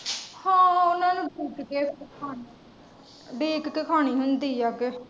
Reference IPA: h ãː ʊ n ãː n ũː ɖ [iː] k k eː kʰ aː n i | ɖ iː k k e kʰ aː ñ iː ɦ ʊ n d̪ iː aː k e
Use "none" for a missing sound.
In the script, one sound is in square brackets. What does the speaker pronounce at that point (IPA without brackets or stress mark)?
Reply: iː